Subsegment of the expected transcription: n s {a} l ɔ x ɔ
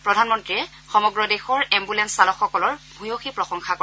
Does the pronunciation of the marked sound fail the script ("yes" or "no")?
no